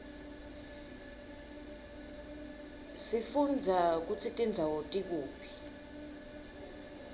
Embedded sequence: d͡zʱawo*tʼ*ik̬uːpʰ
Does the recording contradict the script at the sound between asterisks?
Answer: no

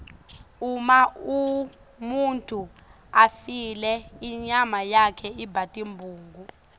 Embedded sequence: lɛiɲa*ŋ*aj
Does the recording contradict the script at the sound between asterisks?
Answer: yes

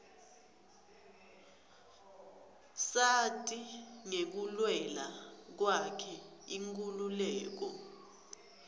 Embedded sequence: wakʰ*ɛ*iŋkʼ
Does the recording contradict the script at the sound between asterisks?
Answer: no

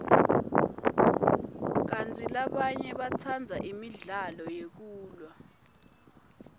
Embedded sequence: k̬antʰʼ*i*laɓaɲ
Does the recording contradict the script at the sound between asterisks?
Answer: no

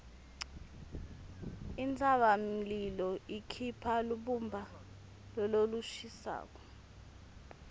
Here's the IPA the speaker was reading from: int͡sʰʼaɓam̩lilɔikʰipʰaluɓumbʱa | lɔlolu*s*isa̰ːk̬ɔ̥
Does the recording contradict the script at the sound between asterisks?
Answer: yes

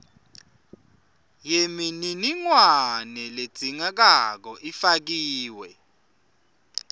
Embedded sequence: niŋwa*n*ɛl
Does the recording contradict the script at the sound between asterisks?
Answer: no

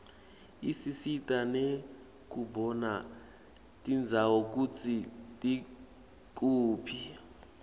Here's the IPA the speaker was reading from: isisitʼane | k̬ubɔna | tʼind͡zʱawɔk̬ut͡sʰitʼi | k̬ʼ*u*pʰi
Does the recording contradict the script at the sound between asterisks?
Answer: yes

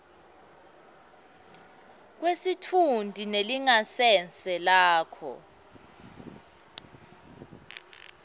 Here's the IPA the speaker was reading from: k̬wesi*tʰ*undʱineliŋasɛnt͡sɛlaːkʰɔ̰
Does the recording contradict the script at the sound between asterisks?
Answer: no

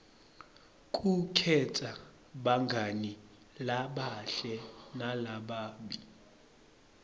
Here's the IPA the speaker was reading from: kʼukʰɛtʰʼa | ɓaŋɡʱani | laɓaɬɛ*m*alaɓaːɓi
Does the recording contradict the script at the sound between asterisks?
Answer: yes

